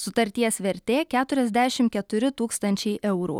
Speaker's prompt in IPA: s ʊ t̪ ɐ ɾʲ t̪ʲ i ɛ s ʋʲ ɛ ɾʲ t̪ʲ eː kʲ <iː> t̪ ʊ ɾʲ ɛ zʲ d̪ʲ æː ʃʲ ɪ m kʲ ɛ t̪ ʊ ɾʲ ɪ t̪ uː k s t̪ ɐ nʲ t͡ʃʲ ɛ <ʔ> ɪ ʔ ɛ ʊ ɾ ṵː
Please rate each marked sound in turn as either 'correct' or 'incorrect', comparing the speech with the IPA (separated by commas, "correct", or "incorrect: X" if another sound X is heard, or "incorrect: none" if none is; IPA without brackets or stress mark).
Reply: incorrect: æː, incorrect: none